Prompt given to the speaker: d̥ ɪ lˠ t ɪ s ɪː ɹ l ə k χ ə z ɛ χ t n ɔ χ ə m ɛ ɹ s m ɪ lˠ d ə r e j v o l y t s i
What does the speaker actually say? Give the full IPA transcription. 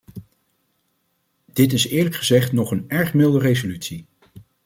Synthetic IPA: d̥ ɪ t ɪ s ɪː ɹ l ə k χ ə z ɛ χ t n ɔ χ ə n ɛ ɹ χ m ɪ lˠ d ə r e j z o l y t s i